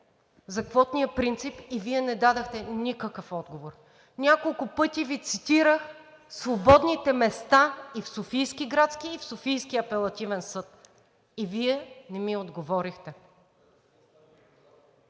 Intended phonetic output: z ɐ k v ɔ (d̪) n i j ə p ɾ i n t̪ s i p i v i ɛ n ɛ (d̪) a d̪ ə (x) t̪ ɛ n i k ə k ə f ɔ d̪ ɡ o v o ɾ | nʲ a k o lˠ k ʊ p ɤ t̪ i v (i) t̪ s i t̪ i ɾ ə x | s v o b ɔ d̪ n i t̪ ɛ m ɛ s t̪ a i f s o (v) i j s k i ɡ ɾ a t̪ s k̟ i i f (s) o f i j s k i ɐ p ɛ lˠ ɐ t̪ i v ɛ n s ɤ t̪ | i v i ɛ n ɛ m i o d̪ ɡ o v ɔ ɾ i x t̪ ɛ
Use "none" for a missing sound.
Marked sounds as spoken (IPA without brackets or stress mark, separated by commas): t̪, d̪, x, i, f, s